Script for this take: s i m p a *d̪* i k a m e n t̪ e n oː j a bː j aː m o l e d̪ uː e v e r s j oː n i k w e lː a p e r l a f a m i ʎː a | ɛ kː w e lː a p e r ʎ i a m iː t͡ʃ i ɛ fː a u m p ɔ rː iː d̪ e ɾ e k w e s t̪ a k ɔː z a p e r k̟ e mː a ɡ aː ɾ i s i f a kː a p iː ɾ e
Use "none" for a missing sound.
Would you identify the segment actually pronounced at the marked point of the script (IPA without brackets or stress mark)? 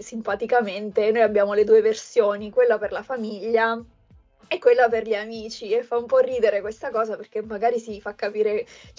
t̪